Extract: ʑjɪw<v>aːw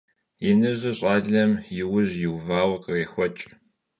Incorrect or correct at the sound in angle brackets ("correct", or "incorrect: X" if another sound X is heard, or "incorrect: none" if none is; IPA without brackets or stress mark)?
correct